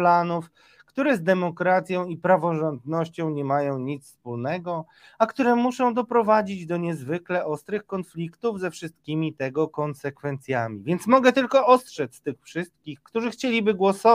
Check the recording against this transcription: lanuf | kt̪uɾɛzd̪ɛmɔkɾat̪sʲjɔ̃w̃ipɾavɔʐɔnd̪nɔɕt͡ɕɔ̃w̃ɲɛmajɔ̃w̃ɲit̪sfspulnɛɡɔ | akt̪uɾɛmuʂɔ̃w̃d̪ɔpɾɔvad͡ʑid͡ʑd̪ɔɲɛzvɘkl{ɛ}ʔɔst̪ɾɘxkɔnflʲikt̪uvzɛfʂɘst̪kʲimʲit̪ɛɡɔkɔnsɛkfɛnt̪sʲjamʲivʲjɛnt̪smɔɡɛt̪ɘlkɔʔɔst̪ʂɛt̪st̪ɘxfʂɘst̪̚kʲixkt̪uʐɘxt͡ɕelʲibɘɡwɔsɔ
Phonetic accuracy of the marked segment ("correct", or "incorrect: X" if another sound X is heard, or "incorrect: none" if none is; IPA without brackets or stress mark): correct